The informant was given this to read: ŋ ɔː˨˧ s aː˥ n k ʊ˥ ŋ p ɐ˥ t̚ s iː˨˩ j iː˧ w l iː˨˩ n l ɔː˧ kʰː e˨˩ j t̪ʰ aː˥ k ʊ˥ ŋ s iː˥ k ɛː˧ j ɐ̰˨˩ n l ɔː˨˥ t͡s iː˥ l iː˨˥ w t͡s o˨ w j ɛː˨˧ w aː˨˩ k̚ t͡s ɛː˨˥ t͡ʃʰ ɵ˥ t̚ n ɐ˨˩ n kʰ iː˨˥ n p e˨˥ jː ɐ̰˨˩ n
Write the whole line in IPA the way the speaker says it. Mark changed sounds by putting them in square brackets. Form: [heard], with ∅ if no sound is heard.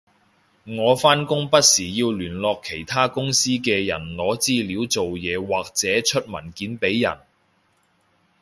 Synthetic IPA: ŋ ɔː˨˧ [f] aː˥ n k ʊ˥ ŋ p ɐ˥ t̚ s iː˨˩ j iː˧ w l [yː˨˩] n l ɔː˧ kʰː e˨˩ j t̪ʰ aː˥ k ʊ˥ ŋ s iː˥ k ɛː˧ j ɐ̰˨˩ n l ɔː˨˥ t͡s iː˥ l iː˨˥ w t͡s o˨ w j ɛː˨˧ w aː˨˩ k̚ t͡s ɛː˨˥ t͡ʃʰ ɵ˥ t̚ [m] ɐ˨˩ n [k] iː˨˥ n p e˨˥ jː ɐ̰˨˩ n